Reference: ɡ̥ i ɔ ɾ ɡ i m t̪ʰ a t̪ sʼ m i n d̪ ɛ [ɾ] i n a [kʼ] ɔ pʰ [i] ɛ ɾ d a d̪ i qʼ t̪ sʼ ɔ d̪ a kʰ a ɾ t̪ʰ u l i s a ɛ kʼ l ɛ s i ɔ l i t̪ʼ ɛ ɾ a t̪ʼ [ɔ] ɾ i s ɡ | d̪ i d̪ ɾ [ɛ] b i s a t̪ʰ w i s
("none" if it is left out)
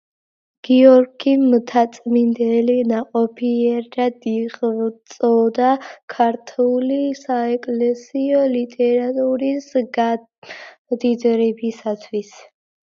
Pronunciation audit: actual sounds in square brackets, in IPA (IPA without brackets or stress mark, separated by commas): l, qʼ, i, u, ɛ